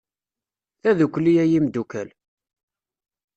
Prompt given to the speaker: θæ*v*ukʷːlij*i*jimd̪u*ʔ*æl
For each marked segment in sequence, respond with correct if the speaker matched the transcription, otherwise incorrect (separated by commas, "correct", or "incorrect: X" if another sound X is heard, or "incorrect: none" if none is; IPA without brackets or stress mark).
incorrect: ð, incorrect: æ, incorrect: k